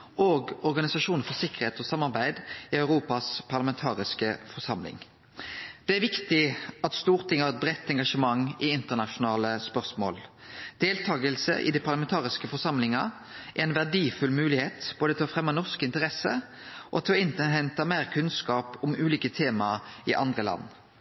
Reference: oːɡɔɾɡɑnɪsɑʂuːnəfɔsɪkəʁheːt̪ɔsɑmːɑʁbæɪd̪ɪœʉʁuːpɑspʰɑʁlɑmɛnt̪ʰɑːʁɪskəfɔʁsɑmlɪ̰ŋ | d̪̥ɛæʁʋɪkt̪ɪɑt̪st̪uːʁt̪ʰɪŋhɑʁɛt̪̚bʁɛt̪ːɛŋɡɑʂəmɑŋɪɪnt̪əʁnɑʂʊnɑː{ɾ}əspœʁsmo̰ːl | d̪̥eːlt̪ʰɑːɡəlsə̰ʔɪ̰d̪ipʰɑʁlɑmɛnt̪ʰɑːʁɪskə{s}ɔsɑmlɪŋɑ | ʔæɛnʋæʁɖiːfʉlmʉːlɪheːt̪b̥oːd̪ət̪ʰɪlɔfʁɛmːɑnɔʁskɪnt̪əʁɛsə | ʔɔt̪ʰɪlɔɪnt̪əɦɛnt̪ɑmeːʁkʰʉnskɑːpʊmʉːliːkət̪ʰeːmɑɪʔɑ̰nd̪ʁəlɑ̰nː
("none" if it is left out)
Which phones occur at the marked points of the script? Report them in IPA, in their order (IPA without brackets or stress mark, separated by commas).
l, f